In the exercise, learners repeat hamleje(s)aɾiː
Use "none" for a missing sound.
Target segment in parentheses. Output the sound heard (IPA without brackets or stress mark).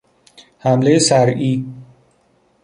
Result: s